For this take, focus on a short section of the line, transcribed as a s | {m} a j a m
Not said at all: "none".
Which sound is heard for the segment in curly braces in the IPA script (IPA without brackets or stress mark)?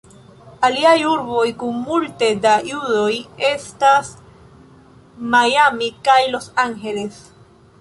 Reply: m